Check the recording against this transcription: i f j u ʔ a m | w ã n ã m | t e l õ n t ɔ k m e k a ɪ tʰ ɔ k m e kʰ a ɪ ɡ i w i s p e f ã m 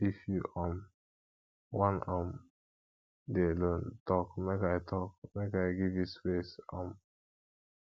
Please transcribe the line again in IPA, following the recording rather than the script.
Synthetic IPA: i f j u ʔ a m | w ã n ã m | d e l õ n t ɔ k m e k a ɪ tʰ ɔ k m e k a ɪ ɡ i v i s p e s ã m